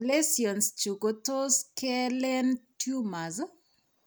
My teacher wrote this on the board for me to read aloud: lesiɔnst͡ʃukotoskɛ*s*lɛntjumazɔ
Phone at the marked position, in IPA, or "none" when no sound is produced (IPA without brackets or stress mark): none